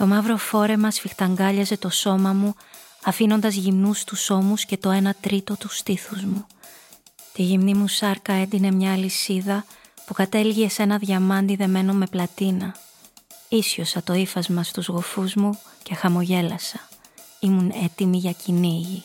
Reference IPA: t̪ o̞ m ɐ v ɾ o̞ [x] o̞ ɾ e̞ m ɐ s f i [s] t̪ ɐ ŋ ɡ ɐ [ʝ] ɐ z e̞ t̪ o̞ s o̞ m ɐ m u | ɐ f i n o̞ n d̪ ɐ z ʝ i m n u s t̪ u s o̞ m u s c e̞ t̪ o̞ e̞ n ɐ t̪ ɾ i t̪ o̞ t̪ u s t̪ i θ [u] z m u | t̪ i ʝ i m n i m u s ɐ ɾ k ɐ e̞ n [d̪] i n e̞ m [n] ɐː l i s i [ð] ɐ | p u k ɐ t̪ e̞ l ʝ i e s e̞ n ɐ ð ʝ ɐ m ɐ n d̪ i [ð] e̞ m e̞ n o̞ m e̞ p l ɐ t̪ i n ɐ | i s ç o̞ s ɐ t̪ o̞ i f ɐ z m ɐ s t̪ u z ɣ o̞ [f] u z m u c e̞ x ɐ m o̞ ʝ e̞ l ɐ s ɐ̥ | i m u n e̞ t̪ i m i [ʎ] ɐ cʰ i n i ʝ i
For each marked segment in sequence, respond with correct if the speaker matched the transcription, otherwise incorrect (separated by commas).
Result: incorrect, incorrect, incorrect, correct, correct, incorrect, correct, correct, correct, incorrect